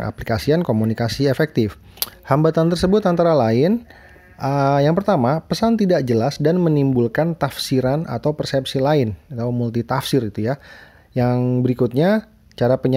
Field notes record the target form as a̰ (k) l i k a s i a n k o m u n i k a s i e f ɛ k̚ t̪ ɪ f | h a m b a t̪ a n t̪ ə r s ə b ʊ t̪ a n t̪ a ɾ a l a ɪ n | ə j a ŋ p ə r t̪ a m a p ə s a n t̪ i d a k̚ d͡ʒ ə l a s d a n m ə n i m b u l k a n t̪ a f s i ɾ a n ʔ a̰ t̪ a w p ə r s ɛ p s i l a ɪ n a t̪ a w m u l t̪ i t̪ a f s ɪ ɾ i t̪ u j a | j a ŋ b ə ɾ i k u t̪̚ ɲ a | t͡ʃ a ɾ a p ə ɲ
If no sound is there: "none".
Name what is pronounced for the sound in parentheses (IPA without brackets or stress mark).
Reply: p